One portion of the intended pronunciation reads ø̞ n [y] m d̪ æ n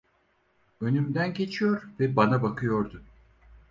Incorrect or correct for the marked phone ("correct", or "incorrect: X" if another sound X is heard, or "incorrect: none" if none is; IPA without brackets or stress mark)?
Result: correct